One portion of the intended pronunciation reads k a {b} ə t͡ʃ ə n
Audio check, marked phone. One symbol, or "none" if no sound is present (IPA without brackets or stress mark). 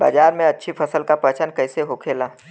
p